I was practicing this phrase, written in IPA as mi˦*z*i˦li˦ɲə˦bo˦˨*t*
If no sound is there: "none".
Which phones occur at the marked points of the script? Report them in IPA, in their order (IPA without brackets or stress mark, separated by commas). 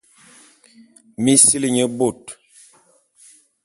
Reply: s, t